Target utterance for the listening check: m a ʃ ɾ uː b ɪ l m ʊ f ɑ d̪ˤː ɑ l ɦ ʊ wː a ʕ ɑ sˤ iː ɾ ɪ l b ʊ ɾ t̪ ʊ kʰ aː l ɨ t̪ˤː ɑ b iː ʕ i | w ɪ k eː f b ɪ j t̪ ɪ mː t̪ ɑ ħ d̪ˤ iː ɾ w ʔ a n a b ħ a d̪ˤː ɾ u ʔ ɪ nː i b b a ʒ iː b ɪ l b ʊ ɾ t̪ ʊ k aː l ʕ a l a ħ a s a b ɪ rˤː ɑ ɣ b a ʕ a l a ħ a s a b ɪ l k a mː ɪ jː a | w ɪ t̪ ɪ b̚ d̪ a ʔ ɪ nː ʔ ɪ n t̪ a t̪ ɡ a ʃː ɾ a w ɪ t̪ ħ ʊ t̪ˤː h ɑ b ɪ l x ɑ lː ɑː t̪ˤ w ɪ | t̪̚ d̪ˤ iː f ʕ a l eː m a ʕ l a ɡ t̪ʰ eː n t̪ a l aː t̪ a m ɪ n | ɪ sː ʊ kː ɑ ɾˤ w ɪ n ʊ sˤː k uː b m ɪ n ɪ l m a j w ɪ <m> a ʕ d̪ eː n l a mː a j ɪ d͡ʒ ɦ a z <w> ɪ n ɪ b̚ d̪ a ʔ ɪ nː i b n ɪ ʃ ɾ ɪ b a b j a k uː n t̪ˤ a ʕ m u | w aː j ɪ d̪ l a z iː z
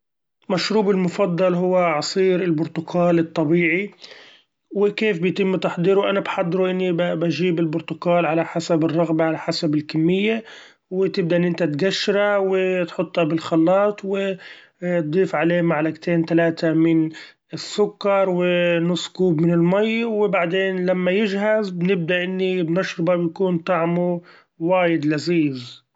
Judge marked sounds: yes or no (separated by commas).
no, no